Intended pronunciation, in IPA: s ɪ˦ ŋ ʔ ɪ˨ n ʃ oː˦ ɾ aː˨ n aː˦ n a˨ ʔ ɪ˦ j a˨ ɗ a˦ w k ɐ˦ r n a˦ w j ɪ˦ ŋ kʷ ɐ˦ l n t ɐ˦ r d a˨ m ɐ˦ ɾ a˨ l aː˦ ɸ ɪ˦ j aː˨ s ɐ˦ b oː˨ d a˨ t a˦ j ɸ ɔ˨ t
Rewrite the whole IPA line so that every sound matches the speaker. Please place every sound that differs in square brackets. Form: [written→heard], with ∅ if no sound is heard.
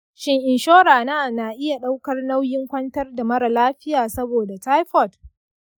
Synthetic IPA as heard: [s→ʃ] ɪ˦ ŋ ʔ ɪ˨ n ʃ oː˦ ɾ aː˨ n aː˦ n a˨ ʔ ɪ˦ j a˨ ɗ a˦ w k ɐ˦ r n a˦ w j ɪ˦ ŋ kʷ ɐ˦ [l→∅] n t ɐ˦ r d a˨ m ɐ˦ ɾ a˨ l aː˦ ɸ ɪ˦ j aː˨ s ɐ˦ b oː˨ d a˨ t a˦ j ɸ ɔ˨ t